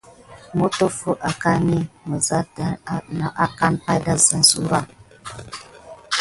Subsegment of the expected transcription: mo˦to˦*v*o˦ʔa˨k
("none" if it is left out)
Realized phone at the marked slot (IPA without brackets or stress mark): f